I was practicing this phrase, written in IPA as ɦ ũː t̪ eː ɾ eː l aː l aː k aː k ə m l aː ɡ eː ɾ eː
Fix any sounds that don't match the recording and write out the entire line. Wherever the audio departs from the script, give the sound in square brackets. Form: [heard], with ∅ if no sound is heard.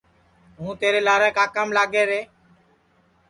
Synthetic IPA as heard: ɦ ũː t̪ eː ɾ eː l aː [ɾ] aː k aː k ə m l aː ɡ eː ɾ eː